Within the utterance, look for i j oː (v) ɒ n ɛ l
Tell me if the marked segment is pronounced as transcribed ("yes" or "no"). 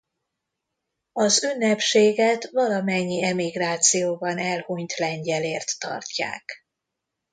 no